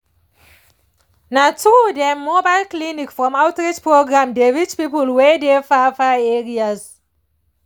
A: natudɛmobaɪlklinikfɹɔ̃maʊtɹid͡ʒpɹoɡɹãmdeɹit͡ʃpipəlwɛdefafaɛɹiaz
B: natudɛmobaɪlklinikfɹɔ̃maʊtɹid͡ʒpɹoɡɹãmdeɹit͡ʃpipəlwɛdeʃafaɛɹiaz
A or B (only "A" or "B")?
A